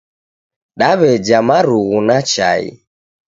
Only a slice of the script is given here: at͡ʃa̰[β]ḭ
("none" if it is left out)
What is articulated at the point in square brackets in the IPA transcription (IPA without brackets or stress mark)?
none